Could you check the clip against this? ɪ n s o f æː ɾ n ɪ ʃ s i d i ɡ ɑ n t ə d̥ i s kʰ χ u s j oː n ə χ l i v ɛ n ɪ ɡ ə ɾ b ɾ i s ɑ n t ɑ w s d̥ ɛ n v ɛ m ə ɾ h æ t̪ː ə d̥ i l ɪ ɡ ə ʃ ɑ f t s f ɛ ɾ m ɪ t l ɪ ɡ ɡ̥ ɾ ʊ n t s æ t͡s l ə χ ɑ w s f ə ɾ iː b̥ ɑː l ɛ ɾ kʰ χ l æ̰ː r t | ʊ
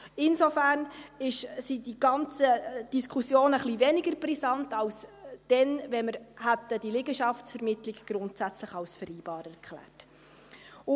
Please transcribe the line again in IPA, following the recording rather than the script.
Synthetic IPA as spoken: ɪ n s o f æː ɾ n ɪ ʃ s i d i ɡ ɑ n t͡s ə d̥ i s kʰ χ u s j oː n ə χ l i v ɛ n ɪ ɡ ə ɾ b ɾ i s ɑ n t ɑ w s d̥ ɛ n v ɛ m ə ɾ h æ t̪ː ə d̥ i l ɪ ɡ ə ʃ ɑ f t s f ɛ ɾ m ɪ t l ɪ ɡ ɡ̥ ɾ ʊ n t s æ t͡s l ə χ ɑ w s f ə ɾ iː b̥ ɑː ɾ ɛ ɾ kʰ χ l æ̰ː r t | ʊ